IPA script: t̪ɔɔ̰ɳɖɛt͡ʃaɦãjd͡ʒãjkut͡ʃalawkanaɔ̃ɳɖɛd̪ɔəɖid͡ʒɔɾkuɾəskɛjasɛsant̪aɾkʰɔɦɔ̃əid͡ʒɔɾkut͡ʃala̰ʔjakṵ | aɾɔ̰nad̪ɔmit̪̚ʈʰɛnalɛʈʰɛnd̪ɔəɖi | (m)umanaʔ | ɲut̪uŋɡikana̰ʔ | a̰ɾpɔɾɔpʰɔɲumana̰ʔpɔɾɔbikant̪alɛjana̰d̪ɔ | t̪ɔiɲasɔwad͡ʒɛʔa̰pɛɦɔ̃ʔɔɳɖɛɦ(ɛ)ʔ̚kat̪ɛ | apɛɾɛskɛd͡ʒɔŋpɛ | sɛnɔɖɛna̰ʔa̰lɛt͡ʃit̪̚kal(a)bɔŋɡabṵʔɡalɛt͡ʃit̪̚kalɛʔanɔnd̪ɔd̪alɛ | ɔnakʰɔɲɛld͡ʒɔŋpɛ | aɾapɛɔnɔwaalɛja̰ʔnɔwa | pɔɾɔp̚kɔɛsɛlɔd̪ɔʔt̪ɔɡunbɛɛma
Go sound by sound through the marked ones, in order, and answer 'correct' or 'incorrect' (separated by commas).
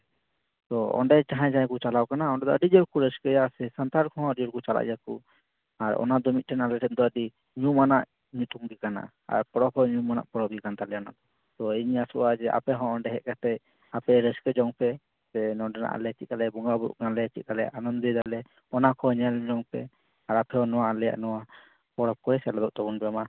incorrect, correct, incorrect